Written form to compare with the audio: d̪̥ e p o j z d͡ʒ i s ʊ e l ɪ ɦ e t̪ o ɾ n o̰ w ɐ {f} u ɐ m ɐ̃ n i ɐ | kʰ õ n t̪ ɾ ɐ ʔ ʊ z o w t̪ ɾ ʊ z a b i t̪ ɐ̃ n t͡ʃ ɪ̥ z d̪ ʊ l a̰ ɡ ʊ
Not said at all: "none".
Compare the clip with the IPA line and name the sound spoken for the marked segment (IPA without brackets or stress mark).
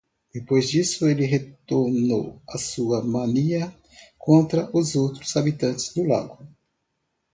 s